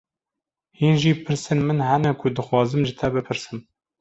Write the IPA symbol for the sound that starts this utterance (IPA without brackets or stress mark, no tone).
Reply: h